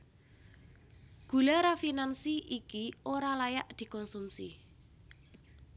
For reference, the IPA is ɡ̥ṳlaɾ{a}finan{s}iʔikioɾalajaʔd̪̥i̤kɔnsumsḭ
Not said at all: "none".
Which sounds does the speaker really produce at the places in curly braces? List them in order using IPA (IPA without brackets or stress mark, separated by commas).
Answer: a, s